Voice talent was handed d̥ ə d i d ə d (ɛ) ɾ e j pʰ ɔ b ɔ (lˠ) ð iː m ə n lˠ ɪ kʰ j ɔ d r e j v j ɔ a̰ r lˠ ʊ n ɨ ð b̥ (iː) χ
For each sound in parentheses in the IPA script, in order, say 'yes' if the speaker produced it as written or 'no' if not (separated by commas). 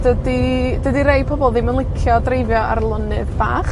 no, yes, no